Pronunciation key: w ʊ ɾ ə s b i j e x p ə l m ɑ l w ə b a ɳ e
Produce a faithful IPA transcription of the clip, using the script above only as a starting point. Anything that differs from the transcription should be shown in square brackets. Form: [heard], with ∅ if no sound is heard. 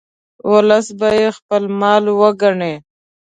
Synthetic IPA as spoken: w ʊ [l] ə s b [a] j e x p ə l m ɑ l w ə [ɡ] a ɳ e